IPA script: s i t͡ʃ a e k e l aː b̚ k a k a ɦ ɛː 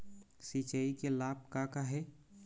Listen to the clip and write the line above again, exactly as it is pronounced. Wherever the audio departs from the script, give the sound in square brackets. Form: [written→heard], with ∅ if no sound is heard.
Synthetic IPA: s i t͡ʃ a [e→i] k e l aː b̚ k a k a ɦ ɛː